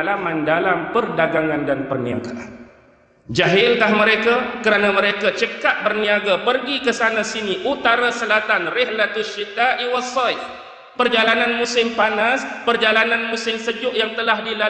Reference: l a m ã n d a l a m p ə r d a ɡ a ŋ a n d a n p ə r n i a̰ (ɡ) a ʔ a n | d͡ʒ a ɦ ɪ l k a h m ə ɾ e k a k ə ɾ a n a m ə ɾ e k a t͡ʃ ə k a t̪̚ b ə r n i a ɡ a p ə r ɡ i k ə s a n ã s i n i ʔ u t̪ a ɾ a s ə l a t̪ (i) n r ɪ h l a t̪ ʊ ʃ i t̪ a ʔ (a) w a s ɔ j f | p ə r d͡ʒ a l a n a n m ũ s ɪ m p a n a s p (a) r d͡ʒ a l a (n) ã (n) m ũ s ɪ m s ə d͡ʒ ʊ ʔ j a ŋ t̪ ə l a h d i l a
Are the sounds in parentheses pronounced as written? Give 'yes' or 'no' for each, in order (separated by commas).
yes, no, no, no, yes, yes